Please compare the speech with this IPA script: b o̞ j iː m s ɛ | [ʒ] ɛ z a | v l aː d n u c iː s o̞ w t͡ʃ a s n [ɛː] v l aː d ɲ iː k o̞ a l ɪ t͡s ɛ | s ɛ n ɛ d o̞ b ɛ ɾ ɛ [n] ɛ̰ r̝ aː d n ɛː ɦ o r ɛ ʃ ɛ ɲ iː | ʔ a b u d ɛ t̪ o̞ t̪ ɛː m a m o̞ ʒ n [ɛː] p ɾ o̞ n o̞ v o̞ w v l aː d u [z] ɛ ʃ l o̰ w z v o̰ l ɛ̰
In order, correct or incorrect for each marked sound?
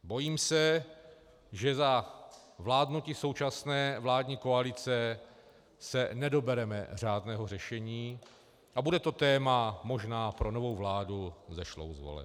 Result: correct, correct, incorrect, incorrect, correct

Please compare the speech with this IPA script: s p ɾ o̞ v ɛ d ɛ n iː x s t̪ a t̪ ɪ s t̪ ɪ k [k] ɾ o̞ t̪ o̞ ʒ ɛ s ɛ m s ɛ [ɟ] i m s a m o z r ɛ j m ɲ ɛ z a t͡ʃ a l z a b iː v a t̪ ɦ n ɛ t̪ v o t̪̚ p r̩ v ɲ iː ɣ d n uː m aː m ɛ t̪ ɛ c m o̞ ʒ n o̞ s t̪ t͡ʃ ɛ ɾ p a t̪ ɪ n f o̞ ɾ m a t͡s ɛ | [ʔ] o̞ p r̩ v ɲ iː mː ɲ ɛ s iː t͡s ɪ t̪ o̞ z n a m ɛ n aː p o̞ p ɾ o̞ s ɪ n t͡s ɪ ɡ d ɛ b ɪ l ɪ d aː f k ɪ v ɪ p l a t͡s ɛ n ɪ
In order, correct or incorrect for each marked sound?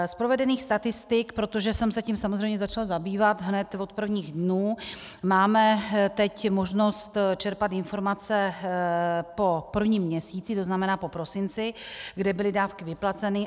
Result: incorrect, incorrect, incorrect

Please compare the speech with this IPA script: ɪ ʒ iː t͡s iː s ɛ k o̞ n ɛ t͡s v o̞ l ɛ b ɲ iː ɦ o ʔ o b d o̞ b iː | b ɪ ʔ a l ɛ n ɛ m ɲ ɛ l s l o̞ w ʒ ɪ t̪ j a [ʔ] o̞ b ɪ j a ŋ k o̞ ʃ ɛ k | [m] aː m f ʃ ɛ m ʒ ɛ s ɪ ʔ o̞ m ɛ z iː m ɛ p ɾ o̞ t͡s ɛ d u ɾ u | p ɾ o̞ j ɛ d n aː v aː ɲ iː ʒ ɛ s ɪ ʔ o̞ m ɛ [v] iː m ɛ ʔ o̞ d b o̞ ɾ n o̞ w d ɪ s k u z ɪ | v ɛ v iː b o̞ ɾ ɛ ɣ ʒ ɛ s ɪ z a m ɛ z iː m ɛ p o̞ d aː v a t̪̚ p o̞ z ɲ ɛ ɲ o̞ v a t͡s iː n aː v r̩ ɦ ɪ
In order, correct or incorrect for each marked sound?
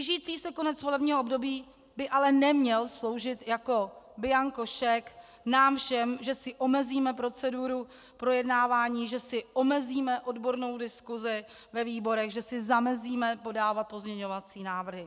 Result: incorrect, incorrect, incorrect

